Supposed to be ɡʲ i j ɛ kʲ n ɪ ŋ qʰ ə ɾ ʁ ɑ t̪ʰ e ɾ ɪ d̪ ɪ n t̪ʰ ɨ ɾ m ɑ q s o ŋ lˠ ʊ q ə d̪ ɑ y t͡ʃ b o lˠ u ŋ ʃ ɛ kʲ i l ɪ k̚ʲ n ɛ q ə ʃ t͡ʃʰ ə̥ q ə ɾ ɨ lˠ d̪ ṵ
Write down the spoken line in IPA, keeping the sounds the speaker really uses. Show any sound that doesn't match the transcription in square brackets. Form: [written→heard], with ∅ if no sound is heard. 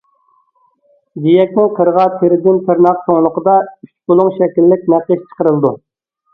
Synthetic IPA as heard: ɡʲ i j ɛ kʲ n ɪ ŋ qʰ ə ɾ ʁ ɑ t̪ʰ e ɾ ɪ d̪ ɪ n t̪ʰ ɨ ɾ [m→n] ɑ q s o ŋ lˠ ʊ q ə d̪ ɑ y t͡ʃ b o lˠ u ŋ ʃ ɛ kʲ i [l→lː] ɪ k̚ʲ n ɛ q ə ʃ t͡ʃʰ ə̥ q ə ɾ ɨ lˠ d̪ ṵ